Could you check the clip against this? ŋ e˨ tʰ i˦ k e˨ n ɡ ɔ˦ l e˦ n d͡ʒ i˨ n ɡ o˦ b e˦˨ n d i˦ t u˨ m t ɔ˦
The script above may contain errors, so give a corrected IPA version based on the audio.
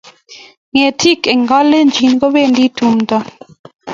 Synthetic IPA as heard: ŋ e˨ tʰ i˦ k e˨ ŋ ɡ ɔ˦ l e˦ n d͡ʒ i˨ n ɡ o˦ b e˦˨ n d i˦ t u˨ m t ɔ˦